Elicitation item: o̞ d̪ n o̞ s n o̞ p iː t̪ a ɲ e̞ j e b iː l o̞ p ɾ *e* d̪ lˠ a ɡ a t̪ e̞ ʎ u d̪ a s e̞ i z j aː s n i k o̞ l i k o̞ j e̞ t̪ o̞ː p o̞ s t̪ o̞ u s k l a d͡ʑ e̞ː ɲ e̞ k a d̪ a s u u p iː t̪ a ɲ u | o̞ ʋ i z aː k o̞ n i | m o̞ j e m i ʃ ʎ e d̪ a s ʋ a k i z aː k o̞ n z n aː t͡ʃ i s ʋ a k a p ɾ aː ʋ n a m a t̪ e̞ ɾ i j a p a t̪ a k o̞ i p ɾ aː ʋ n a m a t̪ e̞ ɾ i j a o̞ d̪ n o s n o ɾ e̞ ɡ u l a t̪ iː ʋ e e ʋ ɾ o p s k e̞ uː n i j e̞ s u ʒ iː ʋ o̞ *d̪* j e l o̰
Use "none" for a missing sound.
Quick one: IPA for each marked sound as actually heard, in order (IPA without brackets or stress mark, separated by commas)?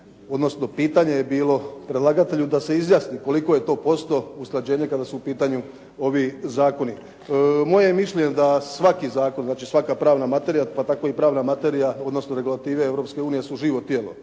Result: e, t̪